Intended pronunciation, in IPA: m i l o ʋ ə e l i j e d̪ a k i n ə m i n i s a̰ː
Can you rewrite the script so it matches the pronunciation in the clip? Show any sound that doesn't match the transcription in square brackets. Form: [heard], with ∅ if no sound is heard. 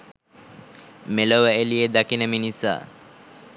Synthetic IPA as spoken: m [e] l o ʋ ə e l i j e d̪ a k i n ə m i n i s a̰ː

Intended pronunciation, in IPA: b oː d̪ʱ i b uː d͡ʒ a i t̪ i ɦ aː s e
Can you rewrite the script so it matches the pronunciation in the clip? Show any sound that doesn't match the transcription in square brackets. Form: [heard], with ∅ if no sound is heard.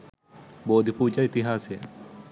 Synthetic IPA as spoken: b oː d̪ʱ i [p] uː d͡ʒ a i t̪ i ɦ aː s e

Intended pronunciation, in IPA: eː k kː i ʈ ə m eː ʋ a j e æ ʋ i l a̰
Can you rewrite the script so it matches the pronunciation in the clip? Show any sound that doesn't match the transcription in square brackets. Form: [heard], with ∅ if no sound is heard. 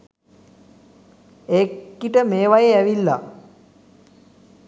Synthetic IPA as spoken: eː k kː i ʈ ə m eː ʋ a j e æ ʋ i [lː] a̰

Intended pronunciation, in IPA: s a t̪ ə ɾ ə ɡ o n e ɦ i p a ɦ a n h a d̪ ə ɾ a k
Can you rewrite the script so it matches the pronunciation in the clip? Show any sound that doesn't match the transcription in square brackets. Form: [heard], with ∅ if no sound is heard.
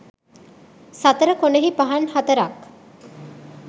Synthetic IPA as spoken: s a t̪ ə ɾ ə [k] o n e ɦ i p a ɦ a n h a [t̪] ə ɾ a k

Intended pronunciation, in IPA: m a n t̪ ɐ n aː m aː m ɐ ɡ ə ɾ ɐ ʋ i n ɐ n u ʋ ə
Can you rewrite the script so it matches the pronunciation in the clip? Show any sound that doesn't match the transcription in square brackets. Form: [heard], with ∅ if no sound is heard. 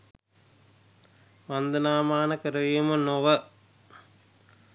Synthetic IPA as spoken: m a n [d̪] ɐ n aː m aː [n] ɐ [k] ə ɾ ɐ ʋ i [m] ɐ n [o] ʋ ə

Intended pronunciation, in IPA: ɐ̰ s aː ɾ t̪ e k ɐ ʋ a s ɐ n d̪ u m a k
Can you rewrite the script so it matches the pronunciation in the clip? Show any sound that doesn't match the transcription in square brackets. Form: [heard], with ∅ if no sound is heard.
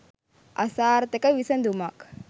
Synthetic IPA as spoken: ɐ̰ s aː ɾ t̪ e k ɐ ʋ [i] s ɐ n d̪ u m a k

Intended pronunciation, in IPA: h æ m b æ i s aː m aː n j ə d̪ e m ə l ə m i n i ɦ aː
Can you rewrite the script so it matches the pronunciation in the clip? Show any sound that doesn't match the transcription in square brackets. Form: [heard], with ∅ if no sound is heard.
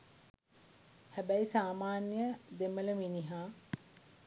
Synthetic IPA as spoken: h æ [∅] b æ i s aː m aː n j ə d̪ e m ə l ə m i n i ɦ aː

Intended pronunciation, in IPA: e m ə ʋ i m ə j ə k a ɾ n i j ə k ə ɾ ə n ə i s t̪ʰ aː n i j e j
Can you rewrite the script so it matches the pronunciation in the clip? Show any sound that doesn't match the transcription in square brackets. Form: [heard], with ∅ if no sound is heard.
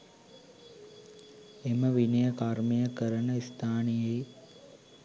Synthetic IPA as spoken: e m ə ʋ i [n] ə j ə k a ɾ [m] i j ə k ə ɾ ə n ə i s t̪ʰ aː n i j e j

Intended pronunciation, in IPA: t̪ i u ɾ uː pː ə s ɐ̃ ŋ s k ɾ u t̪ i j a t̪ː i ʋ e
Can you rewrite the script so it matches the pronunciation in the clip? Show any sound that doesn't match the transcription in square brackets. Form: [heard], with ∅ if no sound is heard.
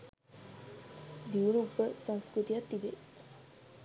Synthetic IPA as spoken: [d̪] i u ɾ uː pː ə s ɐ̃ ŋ s k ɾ u t̪ i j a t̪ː i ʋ e

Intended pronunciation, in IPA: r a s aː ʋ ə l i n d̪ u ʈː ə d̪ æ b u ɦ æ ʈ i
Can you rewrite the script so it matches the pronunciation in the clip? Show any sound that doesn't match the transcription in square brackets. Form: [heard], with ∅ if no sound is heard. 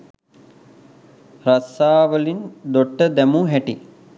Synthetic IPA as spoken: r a s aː ʋ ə l i n d̪ [o] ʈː ə d̪ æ [m] u ɦ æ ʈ i

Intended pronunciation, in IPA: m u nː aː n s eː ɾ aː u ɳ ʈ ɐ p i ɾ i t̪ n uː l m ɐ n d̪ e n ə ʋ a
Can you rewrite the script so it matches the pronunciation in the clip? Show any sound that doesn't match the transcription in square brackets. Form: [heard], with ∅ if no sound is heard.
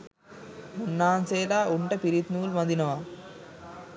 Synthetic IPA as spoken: m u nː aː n s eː [l] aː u ɳ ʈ ɐ p i ɾ i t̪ n uː l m ɐ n d̪ [i] n [ɐ] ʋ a

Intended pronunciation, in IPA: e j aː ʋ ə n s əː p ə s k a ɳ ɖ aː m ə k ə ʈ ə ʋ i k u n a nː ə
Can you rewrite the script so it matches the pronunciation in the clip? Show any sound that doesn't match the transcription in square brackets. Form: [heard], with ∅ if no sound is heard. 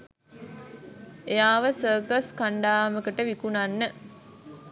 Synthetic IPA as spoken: e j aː ʋ ə [∅] s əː [k] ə s k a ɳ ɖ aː m ə k ə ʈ ə ʋ i k u n a nː ə

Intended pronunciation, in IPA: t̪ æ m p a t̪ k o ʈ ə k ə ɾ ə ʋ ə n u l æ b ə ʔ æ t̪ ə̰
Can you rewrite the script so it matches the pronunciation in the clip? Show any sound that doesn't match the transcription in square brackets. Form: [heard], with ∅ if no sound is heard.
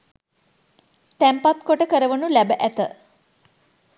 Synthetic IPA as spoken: t̪ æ m p a t̪ k o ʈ ə k ə ɾ ə ʋ ə n u l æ b ə ʔ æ t̪ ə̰

